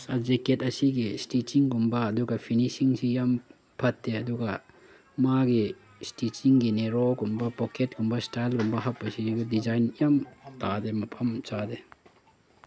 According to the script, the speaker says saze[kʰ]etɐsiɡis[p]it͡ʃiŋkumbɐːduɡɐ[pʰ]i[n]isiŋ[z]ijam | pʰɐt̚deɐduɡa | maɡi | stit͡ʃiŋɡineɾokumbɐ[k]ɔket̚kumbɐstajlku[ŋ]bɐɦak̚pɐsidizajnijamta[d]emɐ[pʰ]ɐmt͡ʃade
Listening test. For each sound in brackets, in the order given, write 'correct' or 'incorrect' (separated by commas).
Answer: incorrect, incorrect, correct, correct, incorrect, incorrect, incorrect, correct, correct